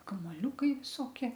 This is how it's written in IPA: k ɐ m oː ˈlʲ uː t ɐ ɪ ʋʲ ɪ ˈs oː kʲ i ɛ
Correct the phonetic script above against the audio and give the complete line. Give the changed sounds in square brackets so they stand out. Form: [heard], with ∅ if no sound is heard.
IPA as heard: k ɐ m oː ˈlʲ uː [k] ɐ ɪ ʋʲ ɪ ˈs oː kʲ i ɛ